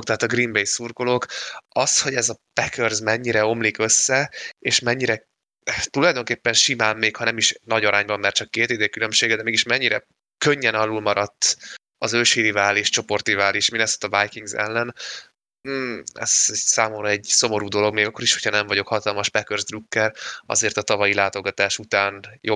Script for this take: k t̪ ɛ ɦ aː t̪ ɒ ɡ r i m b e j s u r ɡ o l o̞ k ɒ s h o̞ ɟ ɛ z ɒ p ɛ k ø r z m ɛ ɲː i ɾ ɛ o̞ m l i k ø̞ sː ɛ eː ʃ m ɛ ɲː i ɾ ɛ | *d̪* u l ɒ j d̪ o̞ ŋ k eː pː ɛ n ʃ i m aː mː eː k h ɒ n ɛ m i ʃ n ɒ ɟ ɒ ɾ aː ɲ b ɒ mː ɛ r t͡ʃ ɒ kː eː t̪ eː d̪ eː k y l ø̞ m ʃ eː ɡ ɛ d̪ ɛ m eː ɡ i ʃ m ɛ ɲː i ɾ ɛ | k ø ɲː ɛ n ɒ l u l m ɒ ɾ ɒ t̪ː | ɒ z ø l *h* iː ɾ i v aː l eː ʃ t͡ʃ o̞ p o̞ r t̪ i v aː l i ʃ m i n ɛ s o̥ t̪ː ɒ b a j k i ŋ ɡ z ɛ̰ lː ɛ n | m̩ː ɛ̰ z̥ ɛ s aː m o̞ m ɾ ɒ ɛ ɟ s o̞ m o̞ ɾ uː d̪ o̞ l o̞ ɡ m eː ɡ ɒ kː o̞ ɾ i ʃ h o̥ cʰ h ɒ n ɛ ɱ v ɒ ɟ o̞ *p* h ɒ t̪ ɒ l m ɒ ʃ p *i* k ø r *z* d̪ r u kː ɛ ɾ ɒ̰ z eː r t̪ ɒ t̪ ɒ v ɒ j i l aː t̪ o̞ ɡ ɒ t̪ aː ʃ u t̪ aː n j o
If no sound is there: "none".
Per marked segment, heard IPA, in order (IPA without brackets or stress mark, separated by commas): t̪, ʃ, k, ɛ, z